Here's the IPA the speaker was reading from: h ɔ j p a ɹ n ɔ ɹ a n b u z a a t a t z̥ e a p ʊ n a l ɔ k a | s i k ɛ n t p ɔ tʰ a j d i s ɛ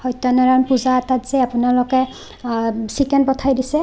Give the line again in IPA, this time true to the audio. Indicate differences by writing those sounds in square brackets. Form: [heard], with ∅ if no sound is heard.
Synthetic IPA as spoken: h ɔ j [t] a [∅] n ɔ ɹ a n [p] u z a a t a t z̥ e a p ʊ n a l ɔ k [ɛ] | s i k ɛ n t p ɔ tʰ a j d i s ɛ